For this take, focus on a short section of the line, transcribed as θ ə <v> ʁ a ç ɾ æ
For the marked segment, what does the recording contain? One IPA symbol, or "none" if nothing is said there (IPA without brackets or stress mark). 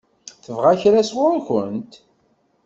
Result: v